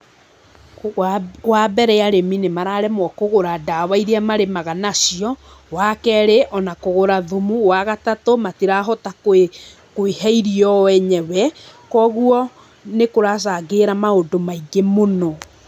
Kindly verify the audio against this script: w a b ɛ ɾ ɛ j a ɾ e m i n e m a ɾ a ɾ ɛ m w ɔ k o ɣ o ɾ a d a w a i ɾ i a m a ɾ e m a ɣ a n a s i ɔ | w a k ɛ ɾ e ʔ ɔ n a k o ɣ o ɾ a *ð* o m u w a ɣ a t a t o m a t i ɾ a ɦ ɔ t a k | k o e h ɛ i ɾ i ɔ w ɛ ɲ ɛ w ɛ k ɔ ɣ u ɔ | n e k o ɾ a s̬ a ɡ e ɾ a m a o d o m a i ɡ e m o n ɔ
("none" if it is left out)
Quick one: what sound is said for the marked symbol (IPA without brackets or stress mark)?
ð